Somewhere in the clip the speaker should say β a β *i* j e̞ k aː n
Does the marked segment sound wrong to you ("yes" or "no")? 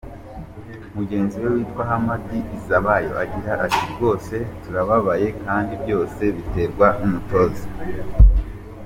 yes